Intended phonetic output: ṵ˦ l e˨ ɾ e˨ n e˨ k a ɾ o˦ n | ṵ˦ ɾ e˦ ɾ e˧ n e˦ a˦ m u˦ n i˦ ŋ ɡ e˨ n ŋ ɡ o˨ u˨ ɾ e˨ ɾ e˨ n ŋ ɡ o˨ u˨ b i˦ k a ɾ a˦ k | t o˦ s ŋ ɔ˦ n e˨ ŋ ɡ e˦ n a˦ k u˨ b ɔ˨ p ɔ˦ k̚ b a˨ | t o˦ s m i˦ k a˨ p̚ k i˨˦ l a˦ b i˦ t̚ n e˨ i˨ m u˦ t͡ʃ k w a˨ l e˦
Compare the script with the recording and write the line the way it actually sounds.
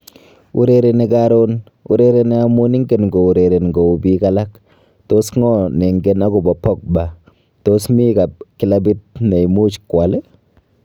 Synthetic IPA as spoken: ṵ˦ ɾ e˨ ɾ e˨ n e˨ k a ɾ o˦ n | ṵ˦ ɾ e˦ ɾ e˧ n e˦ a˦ m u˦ n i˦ ŋ ɡ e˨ n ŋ ɡ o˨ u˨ ɾ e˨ ɾ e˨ n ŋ ɡ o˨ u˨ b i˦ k a l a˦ k | t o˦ s ŋ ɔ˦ n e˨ ŋ ɡ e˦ n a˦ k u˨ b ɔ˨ p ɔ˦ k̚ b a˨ | t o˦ s m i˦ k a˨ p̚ k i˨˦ l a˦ b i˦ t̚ n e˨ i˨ m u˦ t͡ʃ k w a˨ l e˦